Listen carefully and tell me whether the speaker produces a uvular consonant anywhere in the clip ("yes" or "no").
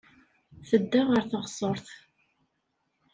yes